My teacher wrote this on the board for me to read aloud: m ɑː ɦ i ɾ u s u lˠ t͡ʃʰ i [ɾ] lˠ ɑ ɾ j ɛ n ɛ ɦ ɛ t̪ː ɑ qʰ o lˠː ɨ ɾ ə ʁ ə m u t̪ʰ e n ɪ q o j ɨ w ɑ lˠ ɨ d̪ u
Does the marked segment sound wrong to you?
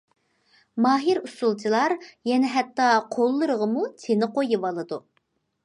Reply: yes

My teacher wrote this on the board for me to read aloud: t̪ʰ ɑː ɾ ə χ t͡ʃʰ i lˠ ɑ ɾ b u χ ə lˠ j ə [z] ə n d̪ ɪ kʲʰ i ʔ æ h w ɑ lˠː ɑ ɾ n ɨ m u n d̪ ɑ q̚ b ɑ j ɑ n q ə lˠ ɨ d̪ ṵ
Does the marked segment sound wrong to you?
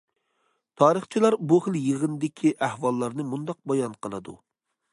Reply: yes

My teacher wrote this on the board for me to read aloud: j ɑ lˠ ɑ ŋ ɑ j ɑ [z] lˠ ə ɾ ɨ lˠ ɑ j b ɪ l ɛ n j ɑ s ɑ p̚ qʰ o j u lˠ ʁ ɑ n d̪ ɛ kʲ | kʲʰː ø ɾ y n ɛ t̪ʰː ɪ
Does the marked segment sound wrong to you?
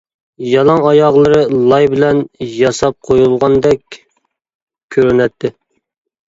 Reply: yes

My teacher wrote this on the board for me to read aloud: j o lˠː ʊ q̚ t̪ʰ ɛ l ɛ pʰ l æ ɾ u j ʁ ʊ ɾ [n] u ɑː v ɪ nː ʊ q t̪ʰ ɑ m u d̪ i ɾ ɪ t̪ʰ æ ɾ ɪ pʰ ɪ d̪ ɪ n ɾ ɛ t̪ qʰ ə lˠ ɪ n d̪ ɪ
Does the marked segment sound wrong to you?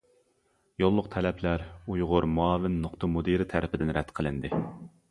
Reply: yes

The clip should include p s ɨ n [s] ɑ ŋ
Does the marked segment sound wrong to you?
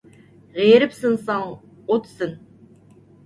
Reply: no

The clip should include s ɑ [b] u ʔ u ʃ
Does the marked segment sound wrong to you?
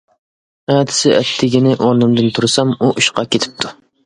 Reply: yes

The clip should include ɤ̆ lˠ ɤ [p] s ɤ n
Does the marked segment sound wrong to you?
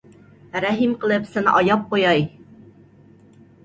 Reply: no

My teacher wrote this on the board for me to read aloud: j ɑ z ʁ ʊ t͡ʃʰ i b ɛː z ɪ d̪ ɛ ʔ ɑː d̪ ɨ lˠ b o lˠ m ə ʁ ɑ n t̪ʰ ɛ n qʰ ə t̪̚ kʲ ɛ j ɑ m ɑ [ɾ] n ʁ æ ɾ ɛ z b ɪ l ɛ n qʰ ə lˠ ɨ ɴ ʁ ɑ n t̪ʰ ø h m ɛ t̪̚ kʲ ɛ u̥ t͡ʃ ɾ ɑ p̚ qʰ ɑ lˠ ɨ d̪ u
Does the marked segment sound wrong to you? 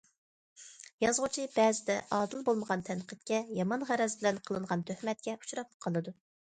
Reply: yes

